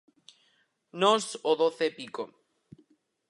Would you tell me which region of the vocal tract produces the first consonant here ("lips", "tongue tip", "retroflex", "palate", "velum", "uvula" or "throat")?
tongue tip